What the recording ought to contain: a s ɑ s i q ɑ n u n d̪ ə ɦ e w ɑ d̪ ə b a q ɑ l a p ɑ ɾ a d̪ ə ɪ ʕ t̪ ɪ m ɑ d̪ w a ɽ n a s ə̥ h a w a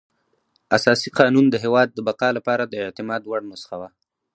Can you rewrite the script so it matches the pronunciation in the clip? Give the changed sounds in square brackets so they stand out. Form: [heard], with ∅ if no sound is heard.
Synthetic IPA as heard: a s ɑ s i q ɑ n u n d̪ ə ɦ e w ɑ [d̪ː] ə b a q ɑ l a p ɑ ɾ a d̪ ə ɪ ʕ t̪ ɪ m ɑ d̪ w a ɽ n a s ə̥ [x] a w a